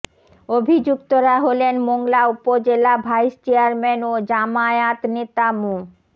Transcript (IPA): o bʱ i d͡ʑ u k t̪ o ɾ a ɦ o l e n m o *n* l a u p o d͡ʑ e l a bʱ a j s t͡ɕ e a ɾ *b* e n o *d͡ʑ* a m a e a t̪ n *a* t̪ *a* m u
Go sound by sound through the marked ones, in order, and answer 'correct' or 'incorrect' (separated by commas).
incorrect, incorrect, correct, incorrect, correct